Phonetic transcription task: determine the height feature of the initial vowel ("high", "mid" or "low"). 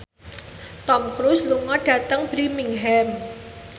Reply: mid